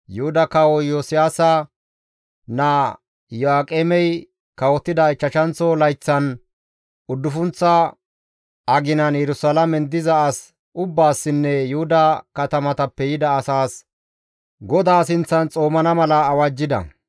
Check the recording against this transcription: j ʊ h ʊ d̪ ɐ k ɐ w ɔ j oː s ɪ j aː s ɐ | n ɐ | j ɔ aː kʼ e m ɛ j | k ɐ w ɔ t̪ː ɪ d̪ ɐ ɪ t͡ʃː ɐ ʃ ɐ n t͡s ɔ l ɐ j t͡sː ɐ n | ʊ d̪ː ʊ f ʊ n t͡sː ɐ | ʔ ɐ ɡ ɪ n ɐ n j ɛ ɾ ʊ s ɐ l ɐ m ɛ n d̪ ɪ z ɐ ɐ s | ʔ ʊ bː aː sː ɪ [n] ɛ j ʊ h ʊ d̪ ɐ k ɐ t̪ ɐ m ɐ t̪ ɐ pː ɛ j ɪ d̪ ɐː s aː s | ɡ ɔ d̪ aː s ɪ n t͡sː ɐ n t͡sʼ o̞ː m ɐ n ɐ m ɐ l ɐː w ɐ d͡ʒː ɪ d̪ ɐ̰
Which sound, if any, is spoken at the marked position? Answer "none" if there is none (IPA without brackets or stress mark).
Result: nː